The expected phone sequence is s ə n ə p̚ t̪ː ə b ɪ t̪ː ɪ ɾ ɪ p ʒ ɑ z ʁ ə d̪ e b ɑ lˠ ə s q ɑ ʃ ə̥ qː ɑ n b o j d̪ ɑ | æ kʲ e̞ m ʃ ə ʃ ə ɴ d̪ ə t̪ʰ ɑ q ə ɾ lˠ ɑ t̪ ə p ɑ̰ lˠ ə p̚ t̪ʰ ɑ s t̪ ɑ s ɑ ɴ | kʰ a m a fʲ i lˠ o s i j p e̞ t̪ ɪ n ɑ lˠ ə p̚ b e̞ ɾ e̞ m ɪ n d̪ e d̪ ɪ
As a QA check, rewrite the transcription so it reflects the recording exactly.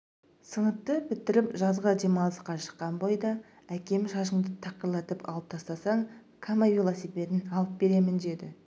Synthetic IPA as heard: s ə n ə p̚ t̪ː ə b ɪ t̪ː ɪ ɾ ɪ p ʒ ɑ z ʁ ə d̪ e m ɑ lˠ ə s q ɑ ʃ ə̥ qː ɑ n b o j d̪ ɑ | æ kʲ e̞ m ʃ ɑ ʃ ə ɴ d̪ ə t̪ʰ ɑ q ə ɾ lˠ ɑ t̪ ə p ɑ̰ lˠ ə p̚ t̪ʰ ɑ s t̪ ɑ s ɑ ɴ | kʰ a m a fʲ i lˠ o s i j p e̞ t̪ ɪ n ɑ lˠ ə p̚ b e̞ ɾ e̞ m ɪ n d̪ e d̪ ɪ

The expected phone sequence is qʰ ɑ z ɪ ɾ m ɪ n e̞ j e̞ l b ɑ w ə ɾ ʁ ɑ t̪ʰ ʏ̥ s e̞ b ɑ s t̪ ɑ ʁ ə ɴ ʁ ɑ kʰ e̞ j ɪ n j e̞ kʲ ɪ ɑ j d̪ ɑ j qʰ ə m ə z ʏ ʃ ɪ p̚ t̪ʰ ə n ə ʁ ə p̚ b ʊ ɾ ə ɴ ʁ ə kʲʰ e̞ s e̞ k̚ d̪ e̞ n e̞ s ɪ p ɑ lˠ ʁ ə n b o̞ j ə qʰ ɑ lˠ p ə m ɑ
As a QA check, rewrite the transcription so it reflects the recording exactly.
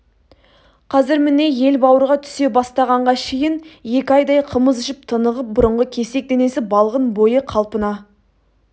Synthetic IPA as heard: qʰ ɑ z ɪ ɾ m ɪ n e̞ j e̞ l b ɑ w ə ɾ ʁ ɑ t̪ʰ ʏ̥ s e̞ b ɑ s t̪ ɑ ʁ ɑ ɴ ʁ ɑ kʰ e̞ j ɪ n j e̞ kʲ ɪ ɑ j d̪ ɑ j qʰ ə m ə z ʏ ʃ ɪ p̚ t̪ʰ ə n ə ʁ ə p̚ b ʊ ɾ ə ɴ ʁ ə kʲʰ e̞ s e̞ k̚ d̪ e̞ n e̞ s ɪ b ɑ lˠ ʁ ə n b o̞ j ə qʰ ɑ lˠ p ə n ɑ

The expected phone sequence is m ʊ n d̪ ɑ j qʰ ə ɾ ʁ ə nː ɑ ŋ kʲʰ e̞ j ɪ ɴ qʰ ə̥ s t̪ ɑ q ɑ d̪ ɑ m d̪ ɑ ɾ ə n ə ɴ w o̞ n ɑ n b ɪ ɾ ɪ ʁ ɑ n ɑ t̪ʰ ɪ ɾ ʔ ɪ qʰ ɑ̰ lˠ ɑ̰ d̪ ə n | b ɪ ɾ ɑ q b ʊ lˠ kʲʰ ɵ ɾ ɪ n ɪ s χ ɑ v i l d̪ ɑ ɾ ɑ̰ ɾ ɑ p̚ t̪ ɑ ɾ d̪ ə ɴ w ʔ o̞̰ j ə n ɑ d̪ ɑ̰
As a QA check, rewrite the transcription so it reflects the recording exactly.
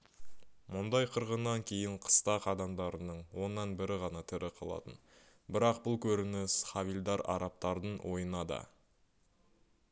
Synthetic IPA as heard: m ʊ n d̪ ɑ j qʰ ə ɾ ʁ ə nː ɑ ŋ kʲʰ e̞ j ɪ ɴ qʰ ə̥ s t̪ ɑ q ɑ d̪ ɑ m d̪ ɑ ɾ ə n ə ɴ w o̞ nː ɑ n b ɪ ɾ ɪ ʁ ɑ n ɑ t̪ʰ ɪ ɾ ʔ ɪ qʰ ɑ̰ lˠ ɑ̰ t̪ ə n | b ɪ ɾ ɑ q b ʊ lˠ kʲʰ ɵ ɾ ɪ n ɪ s χ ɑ v i l d̪ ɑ ɾ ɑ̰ ɾ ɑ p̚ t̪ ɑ ɾ d̪ ə ɴ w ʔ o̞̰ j ə n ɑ d̪ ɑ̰

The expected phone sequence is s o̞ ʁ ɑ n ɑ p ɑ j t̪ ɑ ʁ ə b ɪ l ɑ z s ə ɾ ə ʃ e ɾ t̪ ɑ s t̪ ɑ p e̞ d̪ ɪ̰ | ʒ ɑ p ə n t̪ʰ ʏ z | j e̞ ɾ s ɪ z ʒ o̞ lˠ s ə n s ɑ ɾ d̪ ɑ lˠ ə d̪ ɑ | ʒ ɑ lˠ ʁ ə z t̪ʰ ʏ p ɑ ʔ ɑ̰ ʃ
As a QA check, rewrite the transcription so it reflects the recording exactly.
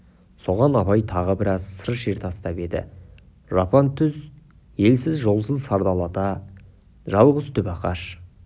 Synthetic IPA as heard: s o̞ ʁ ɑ n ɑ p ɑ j t̪ʰ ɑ ʁ ə b ɪ ɾ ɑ z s ə ɾ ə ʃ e ɾ t̪ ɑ s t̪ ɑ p e̞ d̪ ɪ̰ | ʒ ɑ p ɑ n t̪ʰ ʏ z | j e̞ l s ɪ z ʒ o̞ lˠ s ə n s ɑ ɾ d̪ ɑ lˠ ɑ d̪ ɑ | ʒ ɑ lˠ ʁ ə z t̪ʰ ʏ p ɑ q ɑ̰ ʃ

